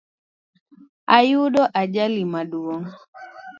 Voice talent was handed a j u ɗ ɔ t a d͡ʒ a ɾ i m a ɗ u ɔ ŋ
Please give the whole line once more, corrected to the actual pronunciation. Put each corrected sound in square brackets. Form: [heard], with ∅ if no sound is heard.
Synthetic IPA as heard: a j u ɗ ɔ [ʔ] a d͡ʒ a [l] i m a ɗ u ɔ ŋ